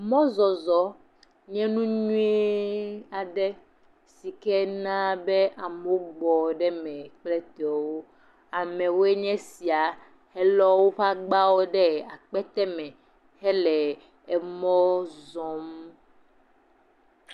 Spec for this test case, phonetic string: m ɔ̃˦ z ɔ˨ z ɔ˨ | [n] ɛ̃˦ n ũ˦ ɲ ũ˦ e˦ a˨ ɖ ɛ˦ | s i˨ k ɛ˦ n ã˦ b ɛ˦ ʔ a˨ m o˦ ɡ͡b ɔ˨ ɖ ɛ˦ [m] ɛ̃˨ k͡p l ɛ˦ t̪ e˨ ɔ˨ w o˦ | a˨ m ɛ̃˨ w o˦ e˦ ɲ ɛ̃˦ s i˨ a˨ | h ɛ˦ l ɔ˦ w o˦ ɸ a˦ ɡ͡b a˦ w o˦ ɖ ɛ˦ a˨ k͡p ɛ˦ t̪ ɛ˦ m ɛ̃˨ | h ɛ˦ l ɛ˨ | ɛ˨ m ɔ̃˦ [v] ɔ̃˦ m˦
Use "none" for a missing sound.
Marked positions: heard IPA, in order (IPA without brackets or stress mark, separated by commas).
ɲ, m, z